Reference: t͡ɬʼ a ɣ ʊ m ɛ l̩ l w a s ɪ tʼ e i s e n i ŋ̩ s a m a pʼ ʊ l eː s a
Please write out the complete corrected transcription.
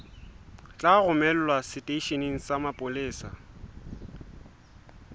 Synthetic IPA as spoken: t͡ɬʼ a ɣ ʊ m ɛ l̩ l w a s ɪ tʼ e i ʃ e n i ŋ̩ s a m a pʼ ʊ l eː s a